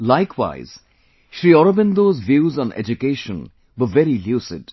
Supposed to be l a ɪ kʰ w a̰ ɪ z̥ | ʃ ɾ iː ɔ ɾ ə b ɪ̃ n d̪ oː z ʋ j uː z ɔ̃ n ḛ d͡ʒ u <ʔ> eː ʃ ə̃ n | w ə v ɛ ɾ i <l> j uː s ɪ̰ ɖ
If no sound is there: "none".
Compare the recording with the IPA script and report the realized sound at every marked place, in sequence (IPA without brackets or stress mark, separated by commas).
k, l